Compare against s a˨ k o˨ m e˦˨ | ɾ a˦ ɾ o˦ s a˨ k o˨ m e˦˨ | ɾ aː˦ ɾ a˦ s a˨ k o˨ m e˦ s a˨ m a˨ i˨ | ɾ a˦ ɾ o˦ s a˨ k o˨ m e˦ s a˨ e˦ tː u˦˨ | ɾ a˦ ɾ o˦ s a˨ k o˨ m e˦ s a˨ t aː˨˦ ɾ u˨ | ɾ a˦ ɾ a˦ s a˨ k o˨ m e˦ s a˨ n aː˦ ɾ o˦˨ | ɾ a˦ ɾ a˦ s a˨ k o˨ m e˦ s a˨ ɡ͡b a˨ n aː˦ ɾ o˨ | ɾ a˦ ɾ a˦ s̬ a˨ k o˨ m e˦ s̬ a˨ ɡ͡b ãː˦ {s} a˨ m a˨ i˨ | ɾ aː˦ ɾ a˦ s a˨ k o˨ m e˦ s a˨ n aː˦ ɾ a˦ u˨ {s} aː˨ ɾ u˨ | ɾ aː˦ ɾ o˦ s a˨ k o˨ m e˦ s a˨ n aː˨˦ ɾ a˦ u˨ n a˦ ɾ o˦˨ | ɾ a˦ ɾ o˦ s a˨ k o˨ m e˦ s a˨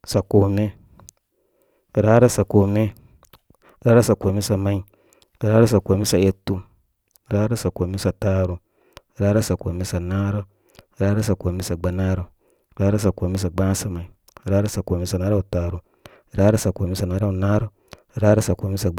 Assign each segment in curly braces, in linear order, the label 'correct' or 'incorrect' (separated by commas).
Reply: correct, incorrect